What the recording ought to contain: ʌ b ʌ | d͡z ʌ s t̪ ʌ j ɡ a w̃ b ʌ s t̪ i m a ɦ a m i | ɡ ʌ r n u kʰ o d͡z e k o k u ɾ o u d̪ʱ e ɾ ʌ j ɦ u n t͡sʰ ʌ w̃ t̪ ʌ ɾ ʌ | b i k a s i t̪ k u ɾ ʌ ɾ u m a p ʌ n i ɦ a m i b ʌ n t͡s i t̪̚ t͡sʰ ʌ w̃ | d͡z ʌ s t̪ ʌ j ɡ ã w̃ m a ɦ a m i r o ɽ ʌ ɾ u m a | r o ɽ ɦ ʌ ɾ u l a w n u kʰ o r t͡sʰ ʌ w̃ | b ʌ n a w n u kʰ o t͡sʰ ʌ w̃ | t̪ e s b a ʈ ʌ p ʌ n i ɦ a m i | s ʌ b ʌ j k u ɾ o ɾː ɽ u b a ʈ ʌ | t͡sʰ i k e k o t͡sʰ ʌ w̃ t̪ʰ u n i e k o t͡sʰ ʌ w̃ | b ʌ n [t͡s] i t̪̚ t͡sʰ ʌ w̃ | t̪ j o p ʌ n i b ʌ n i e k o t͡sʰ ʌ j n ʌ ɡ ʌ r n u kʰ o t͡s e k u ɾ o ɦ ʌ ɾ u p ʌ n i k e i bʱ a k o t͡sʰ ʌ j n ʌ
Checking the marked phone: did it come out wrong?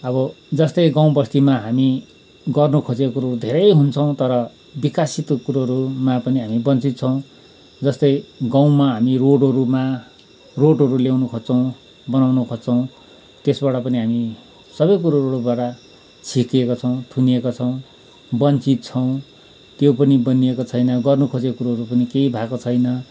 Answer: no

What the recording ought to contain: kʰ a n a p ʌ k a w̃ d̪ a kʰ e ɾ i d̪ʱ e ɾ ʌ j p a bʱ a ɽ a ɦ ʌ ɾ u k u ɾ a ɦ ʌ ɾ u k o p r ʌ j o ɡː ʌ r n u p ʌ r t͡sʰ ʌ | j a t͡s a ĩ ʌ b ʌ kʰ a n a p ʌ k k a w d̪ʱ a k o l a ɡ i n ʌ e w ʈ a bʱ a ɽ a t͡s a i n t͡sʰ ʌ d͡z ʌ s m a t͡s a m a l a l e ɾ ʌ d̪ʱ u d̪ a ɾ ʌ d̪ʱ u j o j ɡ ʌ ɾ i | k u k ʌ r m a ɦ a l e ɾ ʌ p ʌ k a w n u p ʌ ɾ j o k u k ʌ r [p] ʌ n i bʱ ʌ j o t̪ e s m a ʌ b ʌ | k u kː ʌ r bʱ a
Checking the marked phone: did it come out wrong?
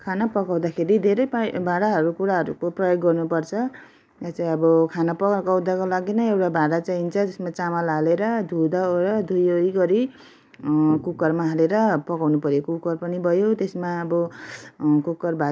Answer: no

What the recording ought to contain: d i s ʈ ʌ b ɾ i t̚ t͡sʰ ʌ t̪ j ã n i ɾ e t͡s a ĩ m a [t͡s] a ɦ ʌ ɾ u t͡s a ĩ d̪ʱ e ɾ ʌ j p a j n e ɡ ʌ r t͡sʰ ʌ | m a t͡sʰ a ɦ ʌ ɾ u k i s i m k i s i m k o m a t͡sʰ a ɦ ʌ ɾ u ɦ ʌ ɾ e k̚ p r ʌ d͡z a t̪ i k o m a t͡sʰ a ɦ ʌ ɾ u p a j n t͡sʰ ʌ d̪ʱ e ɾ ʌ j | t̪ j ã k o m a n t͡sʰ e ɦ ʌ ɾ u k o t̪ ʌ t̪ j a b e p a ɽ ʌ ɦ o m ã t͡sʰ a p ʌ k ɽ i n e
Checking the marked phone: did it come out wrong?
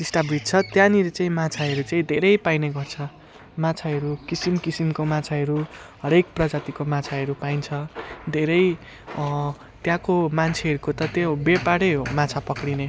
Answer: yes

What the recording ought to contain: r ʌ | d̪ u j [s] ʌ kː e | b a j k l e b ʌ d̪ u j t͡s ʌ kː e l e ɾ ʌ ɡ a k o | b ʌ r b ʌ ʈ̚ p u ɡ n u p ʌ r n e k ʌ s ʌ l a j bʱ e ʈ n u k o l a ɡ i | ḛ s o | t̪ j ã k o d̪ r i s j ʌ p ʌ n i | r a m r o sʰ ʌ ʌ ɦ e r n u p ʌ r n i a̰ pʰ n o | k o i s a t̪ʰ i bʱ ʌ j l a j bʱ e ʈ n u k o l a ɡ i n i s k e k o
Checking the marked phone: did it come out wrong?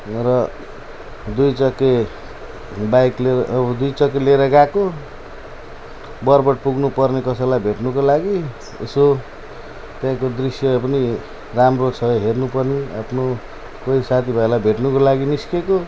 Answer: yes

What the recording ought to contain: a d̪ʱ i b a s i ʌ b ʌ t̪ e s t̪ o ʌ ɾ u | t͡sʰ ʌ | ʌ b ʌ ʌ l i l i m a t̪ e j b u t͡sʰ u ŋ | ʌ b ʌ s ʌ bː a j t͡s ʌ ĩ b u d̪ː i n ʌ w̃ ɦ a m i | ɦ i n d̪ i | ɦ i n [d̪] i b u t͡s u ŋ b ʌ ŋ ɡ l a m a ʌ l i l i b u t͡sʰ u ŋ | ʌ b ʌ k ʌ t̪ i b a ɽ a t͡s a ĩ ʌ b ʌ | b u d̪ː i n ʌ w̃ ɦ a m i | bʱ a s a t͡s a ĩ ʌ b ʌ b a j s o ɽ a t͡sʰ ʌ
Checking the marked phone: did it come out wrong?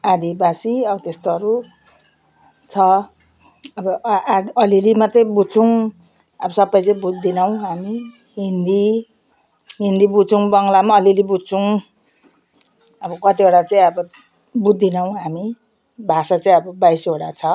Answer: no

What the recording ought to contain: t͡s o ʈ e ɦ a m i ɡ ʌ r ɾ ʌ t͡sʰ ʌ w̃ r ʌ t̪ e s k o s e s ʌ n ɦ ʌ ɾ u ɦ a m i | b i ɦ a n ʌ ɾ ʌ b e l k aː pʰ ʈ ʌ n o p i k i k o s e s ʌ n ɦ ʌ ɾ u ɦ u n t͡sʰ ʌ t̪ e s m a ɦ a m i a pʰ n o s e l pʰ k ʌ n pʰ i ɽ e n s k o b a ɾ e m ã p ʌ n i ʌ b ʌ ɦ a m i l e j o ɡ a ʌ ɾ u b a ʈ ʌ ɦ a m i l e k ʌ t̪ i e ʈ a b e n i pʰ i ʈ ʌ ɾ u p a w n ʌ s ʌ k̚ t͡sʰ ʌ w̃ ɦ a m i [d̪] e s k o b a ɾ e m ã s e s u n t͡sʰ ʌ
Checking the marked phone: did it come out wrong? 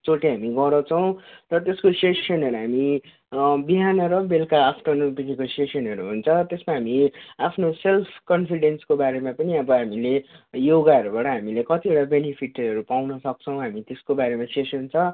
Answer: yes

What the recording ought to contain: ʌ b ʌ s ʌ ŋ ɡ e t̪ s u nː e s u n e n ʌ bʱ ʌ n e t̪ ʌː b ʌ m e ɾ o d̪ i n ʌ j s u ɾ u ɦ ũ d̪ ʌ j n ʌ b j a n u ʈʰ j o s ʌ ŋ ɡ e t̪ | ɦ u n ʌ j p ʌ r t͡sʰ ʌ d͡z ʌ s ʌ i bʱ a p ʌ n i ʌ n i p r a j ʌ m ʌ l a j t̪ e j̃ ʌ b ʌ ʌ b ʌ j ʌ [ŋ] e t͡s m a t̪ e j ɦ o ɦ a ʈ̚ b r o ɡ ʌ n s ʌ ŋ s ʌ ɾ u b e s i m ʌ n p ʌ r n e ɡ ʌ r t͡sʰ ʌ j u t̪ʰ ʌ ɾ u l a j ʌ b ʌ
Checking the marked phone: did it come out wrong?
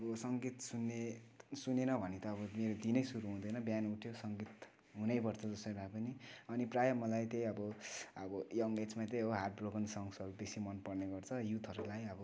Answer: no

